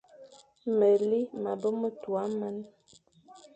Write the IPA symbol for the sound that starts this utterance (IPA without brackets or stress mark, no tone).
m